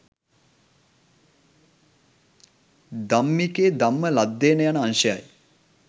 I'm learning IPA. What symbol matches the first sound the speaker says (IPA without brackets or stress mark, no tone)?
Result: d̪